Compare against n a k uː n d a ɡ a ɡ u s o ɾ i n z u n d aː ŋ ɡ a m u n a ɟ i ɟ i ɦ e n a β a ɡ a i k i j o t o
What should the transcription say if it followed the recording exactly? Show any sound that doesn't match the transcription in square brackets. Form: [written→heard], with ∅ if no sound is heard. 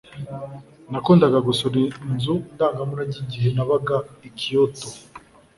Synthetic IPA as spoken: n a k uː n d a ɡ a ɡ u s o ɾ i n z u n d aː ŋ ɡ a m u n a ɟ i ɟ i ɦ e n a β a ɡ a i k i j o t o

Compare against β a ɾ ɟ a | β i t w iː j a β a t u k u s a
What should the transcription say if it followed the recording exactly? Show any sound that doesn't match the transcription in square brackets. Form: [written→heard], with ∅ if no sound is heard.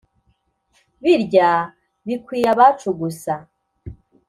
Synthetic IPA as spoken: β [a→i] ɾ ɟ a | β i [t→k] w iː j a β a [t→t͡ʃ] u [k→ɡ] u s a

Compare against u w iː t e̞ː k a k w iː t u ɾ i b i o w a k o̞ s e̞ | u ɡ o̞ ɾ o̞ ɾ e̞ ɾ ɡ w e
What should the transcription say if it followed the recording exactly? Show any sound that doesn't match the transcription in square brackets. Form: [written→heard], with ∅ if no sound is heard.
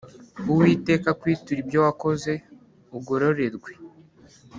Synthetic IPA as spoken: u w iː t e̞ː k a k w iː t u ɾ i b [i→j] o w a k o̞ [s→z] e̞ | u ɡ o̞ ɾ o̞ ɾ e̞ ɾ ɡ w e

